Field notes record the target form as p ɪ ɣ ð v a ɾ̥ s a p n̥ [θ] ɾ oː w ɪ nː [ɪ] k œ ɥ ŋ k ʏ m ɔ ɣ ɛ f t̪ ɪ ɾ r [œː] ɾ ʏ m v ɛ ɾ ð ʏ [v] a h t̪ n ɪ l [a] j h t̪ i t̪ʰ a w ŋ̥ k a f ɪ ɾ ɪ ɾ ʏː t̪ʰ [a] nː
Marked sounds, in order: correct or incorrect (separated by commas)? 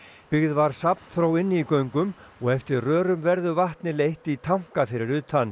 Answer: correct, incorrect, correct, correct, incorrect, correct